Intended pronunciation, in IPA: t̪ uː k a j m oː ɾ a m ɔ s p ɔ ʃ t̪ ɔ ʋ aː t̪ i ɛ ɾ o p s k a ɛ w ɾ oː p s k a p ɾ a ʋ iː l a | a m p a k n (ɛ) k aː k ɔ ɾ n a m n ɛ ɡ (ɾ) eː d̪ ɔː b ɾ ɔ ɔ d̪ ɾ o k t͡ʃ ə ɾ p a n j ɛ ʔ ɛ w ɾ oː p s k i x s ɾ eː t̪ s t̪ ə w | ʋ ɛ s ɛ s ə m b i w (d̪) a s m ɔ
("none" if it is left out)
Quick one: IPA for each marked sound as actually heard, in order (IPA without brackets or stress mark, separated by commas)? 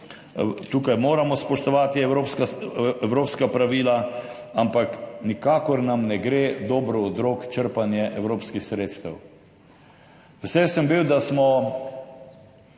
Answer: i, ɾ, d̪